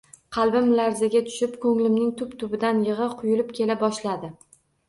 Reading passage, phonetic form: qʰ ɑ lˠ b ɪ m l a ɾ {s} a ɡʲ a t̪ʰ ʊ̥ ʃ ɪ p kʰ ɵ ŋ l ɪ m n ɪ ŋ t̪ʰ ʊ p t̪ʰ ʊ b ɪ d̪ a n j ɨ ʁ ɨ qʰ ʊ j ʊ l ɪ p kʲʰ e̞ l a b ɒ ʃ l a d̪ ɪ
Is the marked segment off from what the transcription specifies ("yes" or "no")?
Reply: yes